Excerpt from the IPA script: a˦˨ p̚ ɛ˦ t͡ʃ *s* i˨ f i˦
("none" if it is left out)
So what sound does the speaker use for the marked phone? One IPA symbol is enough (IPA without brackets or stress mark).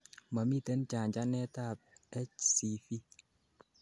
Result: s